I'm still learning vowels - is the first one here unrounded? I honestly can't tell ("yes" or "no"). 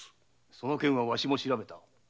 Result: no